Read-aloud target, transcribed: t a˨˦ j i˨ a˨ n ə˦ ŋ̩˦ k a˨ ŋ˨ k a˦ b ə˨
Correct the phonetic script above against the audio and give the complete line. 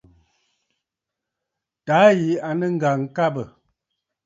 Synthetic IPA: t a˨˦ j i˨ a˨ n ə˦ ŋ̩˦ ɡ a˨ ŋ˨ k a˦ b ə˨